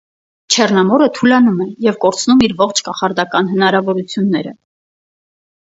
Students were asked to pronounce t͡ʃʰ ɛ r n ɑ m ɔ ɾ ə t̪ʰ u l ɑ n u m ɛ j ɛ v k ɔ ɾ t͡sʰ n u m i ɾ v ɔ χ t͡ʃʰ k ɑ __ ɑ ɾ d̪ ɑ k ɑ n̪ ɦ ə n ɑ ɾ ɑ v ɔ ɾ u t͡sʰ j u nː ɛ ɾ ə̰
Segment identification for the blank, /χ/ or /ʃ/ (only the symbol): χ